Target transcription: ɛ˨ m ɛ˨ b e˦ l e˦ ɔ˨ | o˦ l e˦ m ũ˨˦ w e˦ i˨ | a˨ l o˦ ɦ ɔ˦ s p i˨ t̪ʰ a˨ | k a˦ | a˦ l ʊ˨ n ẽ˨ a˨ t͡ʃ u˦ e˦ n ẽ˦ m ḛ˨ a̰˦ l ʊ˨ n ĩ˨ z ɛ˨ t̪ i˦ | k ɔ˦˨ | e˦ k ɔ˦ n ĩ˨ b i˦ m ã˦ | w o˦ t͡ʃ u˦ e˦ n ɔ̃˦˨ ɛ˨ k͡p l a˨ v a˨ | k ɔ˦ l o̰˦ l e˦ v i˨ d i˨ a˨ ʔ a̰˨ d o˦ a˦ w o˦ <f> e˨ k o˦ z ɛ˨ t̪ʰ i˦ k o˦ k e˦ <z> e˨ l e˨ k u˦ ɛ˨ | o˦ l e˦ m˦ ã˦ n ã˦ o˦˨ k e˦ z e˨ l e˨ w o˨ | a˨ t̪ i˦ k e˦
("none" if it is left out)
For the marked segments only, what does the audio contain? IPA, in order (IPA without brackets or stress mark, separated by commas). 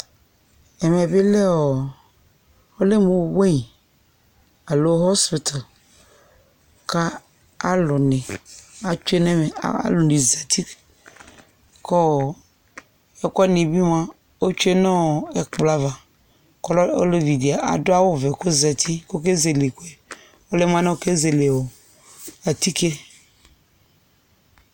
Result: v, z